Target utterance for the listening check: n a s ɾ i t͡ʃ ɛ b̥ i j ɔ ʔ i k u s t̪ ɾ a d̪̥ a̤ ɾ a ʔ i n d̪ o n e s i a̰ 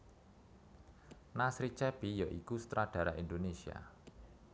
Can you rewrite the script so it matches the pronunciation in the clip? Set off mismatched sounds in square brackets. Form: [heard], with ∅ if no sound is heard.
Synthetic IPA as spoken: n a s ɾ i t͡ʃ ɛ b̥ i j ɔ ʔ i k u s t̪ ɾ a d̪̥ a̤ ɾ a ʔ i n d̪ o n e s i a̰